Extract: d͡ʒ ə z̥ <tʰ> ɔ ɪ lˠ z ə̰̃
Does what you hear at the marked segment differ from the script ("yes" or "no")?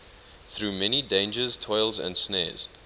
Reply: no